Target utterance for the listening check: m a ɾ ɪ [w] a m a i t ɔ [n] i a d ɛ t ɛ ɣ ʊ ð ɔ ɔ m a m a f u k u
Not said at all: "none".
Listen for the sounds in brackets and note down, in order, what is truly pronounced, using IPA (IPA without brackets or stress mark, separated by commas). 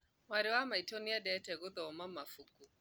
w, n